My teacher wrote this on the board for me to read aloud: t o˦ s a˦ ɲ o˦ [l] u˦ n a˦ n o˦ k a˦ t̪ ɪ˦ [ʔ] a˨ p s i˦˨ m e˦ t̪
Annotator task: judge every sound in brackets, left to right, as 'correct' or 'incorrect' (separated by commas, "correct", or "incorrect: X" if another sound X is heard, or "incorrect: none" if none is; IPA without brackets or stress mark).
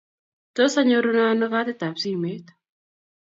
incorrect: ɾ, incorrect: t